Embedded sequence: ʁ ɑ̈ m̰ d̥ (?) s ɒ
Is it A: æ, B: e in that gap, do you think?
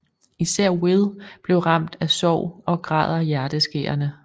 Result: A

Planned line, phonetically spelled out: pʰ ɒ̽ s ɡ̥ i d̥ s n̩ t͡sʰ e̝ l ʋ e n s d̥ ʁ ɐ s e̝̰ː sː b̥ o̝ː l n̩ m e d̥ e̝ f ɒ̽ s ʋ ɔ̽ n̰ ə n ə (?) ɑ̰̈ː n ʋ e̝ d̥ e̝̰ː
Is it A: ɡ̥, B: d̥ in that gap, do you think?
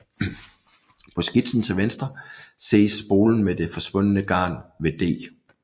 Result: A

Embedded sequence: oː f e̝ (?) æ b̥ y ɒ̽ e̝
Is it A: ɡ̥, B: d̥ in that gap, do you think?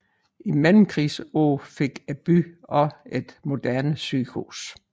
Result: A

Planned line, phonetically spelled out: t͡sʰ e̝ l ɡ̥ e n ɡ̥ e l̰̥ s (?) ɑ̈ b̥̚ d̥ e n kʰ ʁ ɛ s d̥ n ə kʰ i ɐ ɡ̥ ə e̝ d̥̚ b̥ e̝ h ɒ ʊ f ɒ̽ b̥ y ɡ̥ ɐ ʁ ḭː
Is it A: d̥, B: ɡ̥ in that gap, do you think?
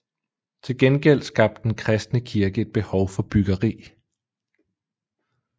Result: B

